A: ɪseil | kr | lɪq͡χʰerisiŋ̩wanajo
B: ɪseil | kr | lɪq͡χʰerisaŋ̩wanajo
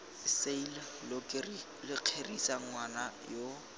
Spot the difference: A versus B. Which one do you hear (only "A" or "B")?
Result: B